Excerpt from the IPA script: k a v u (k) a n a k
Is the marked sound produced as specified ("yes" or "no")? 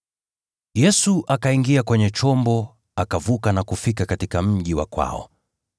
yes